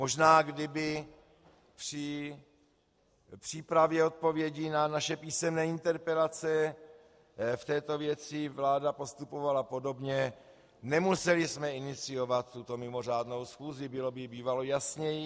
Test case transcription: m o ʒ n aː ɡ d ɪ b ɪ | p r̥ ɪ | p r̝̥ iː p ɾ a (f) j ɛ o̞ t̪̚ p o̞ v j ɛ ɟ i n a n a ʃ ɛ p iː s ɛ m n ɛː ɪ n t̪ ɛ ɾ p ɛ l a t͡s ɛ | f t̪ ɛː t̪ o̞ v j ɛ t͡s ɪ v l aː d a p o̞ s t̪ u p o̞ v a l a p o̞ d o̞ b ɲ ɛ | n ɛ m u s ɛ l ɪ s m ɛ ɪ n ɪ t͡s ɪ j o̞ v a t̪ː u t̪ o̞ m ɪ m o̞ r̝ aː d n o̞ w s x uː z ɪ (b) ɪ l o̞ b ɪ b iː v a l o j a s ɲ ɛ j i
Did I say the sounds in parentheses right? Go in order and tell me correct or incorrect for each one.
incorrect: v, correct

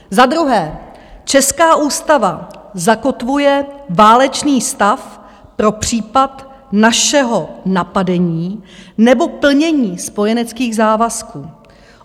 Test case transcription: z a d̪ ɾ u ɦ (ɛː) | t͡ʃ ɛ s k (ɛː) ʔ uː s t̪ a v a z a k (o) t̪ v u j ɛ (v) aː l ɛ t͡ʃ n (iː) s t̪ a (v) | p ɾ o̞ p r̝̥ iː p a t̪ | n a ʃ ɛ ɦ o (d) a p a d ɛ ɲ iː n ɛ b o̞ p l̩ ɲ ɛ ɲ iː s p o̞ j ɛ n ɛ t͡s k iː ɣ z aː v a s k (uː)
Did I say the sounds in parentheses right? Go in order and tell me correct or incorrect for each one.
correct, incorrect: aː, correct, correct, correct, incorrect: f, incorrect: n, correct

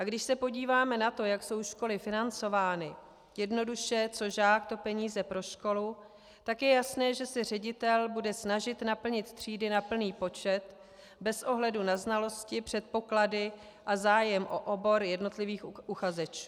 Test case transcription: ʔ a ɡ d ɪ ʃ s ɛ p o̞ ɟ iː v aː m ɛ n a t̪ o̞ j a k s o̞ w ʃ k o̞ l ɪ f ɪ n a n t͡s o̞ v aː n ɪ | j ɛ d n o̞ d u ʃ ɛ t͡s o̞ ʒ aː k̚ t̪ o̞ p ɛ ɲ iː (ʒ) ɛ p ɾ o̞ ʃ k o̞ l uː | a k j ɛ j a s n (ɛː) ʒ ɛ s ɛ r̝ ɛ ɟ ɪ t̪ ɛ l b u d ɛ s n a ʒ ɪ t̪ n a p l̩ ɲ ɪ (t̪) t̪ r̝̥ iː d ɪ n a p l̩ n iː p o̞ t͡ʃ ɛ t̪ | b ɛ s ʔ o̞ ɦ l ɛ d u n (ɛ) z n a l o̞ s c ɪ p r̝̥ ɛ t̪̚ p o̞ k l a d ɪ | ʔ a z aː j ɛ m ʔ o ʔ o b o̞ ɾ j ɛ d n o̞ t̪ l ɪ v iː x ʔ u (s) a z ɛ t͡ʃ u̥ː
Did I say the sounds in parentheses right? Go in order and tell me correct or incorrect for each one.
incorrect: z, correct, correct, incorrect: a, incorrect: x

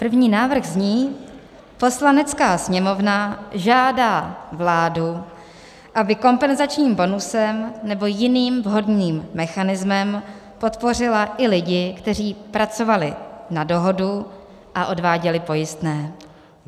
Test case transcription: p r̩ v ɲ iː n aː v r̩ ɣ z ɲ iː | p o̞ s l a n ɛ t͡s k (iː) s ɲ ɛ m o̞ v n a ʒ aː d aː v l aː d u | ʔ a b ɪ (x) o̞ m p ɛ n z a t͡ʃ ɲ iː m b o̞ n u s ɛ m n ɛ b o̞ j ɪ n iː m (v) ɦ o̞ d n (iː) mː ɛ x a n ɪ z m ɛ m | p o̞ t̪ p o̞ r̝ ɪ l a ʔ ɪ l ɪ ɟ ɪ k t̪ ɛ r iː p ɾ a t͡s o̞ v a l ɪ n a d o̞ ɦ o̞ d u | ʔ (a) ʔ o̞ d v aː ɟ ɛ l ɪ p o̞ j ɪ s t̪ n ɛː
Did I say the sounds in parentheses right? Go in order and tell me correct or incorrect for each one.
incorrect: aː, incorrect: k, correct, correct, correct

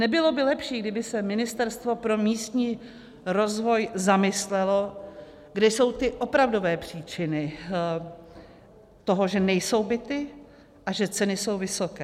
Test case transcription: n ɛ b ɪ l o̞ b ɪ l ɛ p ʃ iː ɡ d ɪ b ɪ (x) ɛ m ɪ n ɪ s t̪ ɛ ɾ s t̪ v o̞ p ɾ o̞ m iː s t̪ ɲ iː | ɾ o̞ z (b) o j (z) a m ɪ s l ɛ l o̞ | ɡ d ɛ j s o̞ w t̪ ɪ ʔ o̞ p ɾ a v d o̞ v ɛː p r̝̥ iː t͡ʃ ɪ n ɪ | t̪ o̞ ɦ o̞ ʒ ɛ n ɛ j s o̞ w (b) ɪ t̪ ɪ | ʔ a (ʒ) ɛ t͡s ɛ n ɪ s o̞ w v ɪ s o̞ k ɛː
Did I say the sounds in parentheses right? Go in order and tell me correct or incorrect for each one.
incorrect: s, incorrect: v, correct, correct, correct

